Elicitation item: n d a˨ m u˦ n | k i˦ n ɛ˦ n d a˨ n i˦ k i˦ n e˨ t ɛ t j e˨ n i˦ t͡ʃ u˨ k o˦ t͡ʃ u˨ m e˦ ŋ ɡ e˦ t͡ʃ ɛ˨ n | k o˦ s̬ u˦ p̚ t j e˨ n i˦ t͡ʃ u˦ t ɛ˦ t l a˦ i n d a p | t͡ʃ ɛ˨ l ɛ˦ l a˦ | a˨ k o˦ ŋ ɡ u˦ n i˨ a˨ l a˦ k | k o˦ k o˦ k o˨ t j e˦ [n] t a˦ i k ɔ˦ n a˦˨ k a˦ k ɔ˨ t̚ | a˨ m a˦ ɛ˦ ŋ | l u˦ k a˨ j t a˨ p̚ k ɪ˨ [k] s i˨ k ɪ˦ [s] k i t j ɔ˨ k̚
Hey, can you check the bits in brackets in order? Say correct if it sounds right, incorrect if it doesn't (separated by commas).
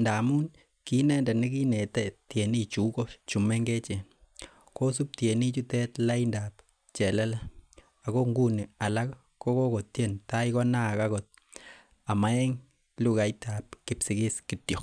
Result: correct, incorrect, correct